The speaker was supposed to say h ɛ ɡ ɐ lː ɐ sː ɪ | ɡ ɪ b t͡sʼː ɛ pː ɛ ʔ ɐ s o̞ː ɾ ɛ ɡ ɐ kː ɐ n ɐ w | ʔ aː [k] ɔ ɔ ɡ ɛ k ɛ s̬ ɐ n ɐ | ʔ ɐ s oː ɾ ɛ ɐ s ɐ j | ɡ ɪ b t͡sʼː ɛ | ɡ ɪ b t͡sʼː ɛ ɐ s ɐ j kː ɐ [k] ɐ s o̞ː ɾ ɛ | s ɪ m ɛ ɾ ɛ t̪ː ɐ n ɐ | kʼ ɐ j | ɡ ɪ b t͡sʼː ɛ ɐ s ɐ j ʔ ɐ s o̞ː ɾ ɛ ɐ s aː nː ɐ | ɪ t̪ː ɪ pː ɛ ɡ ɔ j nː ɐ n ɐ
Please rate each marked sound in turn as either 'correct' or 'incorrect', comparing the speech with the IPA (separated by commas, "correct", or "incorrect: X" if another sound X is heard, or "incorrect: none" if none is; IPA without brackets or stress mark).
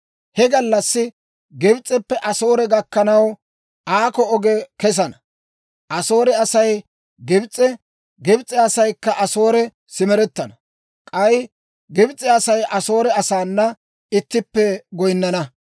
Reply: correct, incorrect: ʔ